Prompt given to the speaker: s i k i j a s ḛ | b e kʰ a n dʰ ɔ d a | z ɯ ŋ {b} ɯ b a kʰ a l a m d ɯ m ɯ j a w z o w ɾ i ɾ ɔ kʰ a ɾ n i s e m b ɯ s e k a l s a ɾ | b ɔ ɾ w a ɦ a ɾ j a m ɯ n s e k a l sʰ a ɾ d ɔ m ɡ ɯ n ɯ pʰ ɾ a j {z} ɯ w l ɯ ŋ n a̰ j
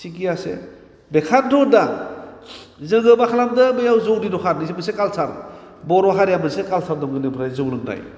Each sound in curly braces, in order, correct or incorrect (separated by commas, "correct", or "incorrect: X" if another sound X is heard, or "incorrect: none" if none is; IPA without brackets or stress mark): incorrect: ɡ, correct